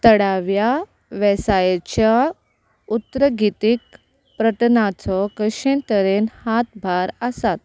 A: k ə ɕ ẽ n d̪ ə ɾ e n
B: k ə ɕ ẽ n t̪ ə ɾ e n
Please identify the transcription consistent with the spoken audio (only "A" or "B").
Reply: B